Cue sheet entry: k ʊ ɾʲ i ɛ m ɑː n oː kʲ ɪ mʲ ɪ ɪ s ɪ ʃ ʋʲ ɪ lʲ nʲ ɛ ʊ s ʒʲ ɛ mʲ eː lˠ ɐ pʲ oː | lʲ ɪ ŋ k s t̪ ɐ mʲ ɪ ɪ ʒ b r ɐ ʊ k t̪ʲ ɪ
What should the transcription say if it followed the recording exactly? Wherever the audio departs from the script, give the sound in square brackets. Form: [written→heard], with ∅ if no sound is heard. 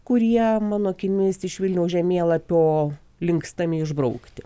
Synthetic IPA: k ʊ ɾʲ i ɛ m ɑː n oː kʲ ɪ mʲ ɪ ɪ s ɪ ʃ ʋʲ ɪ lʲ nʲ ɛ ʊ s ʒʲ ɛ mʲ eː lˠ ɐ pʲ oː | lʲ ɪ ŋ k s t̪ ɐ mʲ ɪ ɪ ʒ b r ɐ ʊ k t̪ʲ ɪ